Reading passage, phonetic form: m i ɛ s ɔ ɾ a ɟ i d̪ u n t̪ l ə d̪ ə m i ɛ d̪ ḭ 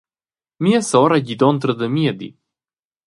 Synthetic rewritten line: m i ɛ s ɔ ɾ a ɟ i d̪ ɔ n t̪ ɾ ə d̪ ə m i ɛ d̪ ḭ

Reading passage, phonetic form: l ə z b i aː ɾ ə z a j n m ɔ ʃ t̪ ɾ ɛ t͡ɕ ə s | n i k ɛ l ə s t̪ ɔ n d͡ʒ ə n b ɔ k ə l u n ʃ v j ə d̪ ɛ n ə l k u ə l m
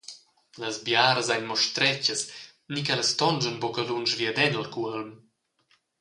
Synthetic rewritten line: l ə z b j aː ɾ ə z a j n m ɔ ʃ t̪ ɾ ɛ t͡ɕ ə s | n i k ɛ l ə s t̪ ɔ n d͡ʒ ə n b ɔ k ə l u n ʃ v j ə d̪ ɛ n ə l k u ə l m

